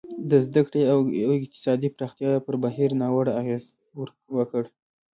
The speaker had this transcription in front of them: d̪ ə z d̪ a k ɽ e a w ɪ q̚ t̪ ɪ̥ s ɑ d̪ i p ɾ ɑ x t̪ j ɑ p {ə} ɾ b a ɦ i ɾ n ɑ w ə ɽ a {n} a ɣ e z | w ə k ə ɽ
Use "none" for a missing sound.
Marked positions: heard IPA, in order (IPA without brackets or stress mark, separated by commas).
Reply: ə, none